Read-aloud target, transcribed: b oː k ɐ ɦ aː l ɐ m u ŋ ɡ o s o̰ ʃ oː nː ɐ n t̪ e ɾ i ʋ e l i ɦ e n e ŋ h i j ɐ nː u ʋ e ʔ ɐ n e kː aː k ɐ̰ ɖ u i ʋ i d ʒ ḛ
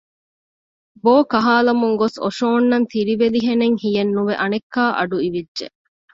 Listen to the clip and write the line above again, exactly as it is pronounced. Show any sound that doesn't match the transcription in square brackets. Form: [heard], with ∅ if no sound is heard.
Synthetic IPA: b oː k ɐ ɦ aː l ɐ m u ŋ ɡ o s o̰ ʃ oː nː ɐ n t̪ [i] ɾ i ʋ e l i ɦ e n e ŋ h i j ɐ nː u ʋ e ʔ ɐ n e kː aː [ʔ] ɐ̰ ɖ u i ʋ i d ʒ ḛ